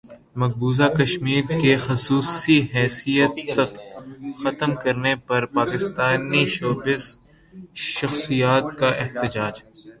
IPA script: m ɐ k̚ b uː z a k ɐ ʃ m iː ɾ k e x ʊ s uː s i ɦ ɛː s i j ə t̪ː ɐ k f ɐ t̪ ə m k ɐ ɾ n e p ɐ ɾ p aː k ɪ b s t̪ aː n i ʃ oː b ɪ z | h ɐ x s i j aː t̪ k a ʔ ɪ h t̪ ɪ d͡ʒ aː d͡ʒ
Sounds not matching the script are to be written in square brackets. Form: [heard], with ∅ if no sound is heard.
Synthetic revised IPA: m ɐ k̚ b uː z a k ɐ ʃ m iː ɾ k e x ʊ s uː s i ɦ ɛː s i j ə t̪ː ɐ k [x] ɐ t̪ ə m k ɐ ɾ n e p ɐ ɾ p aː k ɪ [∅] s t̪ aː n i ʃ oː b ɪ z | [ʃ] ɐ x s i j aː t̪ k a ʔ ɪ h t̪ ɪ d͡ʒ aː d͡ʒ